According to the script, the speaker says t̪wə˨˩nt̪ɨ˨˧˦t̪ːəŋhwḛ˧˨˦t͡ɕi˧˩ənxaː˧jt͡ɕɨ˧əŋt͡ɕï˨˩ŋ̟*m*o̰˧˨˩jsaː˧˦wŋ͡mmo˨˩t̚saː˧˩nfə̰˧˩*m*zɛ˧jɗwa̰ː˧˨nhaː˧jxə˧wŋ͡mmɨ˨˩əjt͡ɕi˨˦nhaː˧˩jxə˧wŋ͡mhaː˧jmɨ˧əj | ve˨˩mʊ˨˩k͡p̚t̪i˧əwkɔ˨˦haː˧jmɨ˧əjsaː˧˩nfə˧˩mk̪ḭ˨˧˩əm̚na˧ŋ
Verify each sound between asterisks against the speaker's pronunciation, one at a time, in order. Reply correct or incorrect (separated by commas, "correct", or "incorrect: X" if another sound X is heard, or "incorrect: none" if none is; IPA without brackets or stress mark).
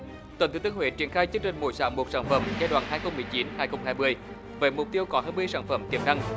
correct, correct